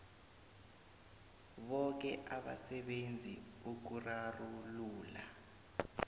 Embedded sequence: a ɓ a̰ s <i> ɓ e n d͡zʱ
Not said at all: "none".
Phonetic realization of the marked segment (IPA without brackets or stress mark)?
ɛ